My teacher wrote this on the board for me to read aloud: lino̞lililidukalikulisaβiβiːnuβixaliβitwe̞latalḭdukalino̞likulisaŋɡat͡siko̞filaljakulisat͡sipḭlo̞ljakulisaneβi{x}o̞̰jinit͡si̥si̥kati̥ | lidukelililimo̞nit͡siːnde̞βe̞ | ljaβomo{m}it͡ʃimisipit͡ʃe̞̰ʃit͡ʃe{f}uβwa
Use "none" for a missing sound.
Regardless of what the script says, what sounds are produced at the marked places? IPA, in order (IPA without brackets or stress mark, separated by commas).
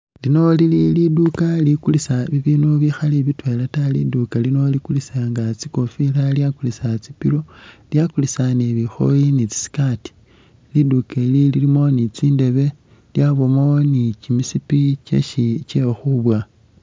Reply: x, n, x